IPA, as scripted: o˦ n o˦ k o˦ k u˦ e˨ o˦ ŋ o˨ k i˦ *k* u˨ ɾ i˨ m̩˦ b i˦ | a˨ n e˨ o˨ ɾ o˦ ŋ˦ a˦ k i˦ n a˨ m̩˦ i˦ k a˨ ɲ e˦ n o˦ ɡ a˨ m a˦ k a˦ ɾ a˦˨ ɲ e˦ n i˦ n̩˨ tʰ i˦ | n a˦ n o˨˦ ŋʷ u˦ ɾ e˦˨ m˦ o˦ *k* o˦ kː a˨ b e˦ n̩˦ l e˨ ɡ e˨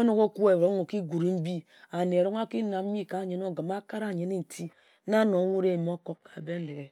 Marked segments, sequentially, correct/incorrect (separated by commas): incorrect, correct